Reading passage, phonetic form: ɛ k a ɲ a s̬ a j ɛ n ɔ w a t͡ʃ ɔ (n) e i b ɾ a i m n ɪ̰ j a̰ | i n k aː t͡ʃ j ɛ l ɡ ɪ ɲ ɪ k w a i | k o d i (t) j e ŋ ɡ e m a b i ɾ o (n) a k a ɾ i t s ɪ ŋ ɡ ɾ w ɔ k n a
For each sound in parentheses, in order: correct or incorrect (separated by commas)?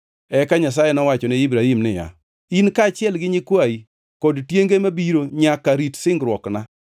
correct, correct, incorrect